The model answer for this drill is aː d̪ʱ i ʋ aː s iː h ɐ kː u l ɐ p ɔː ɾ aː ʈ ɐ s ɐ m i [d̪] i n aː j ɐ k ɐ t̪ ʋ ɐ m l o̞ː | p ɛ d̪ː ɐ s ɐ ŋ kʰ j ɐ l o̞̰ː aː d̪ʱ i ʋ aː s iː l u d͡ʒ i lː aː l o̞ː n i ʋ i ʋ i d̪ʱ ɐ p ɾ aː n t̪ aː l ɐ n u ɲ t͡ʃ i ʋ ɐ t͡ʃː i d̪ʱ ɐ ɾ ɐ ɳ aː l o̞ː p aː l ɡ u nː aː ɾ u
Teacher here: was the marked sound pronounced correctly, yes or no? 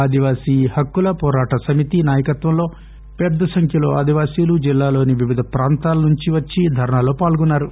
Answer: no